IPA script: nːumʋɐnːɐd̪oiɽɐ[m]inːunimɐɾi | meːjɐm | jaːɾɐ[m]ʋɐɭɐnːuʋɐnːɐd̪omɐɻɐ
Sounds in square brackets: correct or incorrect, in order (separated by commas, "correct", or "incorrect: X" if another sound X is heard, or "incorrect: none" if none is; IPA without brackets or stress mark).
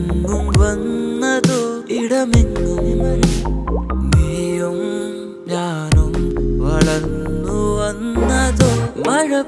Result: correct, correct